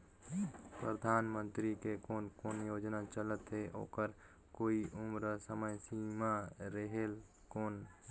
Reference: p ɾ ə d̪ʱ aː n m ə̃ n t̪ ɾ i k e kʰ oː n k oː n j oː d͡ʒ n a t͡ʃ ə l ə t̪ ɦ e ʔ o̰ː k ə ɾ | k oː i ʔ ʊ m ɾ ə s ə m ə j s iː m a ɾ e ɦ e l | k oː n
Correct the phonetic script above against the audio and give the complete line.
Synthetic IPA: p ɾ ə d̪ʱ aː n m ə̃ n t̪ ɾ i k e k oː n k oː n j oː d͡ʒ n a t͡ʃ ə l ə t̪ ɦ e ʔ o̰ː k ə ɾ | k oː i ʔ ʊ m ɾ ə s ə m ə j s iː m a ɾ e ɦ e l | k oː n